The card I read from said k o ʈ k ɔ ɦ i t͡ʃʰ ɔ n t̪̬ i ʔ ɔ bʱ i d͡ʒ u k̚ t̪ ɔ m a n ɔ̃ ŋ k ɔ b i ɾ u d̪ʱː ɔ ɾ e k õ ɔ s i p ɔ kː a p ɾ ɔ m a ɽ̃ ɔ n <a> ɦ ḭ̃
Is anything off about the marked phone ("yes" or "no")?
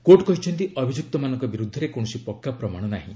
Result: no